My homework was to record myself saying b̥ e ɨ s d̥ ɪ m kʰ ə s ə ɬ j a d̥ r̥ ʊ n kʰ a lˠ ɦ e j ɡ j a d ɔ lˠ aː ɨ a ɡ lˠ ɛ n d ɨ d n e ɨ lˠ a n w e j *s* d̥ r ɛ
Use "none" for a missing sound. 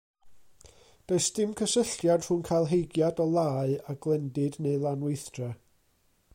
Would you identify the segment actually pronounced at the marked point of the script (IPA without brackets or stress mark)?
θ